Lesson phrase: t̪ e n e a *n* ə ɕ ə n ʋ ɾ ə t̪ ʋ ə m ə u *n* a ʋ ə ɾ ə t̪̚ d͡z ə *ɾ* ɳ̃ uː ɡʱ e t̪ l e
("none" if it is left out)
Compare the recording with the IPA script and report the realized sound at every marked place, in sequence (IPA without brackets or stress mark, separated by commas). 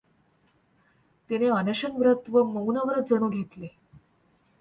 n, n, none